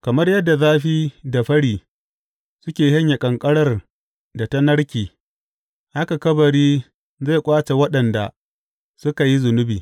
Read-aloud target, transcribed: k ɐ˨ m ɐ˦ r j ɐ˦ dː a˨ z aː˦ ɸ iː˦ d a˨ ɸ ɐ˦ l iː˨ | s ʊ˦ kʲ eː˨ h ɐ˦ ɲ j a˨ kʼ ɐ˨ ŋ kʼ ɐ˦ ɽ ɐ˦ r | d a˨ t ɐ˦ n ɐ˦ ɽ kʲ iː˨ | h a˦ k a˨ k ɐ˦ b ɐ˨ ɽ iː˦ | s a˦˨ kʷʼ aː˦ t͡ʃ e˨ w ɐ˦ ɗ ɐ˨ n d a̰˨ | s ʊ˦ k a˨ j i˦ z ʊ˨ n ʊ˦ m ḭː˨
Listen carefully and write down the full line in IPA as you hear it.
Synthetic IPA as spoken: k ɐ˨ m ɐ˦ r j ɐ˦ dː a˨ z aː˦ ɸ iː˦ d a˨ ɸ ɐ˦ ɽ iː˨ | s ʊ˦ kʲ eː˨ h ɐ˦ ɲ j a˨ kʼ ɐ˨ ŋ kʼ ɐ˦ ɽ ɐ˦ r | d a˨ t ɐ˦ n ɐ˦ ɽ kʲ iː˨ | h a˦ k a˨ k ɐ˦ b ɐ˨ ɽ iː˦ | z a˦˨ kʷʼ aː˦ t͡ʃ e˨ w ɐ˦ ɗ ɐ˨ n d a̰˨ | s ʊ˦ k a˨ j i˦ z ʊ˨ n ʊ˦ b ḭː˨